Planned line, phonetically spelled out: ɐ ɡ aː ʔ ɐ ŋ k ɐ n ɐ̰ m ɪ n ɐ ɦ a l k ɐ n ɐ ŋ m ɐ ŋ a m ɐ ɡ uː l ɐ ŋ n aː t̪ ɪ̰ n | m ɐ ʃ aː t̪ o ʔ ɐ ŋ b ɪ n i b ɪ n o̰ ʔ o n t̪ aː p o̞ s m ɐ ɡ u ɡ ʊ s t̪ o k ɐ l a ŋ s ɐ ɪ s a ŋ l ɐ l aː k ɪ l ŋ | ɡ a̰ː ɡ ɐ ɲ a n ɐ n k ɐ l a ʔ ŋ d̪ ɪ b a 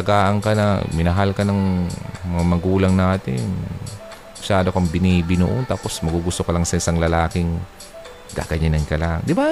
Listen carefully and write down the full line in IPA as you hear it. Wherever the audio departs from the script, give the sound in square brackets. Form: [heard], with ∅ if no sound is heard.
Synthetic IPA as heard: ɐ ɡ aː ʔ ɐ ŋ k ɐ n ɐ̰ m ɪ n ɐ ɦ a l k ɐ n ɐ ŋ m ɐ ŋ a m ɐ ɡ uː l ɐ ŋ n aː t̪ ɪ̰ n | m ɐ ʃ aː [d̪] o [k] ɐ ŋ b ɪ n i b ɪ n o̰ ʔ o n t̪ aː p o̞ s m ɐ ɡ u ɡ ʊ s t̪ o k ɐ l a ŋ s ɐ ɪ s a ŋ l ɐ l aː k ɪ [∅] ŋ | ɡ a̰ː ɡ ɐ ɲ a n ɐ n k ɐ l a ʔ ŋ d̪ ɪ b a